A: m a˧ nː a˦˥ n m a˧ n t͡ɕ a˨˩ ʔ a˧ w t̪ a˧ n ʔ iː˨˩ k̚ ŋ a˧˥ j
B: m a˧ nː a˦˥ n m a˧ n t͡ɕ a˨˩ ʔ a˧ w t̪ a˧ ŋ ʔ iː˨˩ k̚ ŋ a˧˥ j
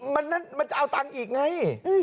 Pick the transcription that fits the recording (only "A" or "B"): B